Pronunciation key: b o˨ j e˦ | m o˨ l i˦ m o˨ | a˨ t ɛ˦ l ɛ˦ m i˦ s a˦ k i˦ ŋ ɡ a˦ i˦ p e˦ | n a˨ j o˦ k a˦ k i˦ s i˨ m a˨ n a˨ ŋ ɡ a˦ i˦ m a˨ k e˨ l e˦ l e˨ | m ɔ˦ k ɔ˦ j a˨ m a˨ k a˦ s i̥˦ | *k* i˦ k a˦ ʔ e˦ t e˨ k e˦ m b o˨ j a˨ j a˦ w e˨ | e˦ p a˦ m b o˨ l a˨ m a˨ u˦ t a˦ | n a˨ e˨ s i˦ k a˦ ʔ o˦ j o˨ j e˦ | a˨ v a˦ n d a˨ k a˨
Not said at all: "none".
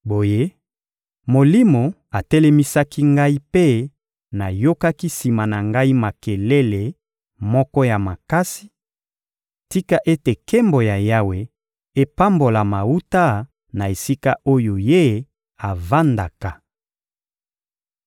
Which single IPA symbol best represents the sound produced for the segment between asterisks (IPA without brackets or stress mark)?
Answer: t